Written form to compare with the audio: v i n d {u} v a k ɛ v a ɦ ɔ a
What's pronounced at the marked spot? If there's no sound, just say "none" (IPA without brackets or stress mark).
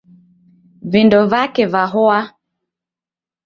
ɔ